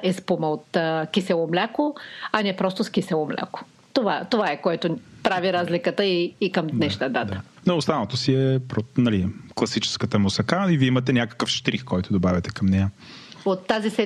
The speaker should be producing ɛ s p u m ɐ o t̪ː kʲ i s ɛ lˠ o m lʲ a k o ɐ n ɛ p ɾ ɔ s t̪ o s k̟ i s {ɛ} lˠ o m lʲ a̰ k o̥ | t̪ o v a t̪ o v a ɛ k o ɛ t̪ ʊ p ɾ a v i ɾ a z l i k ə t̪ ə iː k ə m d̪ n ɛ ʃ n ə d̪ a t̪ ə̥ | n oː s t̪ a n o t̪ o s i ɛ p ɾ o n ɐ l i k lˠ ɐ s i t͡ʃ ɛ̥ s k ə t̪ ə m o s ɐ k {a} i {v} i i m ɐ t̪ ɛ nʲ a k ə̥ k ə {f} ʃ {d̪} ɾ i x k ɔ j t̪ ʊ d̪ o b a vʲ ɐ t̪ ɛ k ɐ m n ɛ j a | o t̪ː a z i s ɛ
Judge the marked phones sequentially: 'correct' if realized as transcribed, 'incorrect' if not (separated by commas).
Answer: correct, correct, correct, correct, incorrect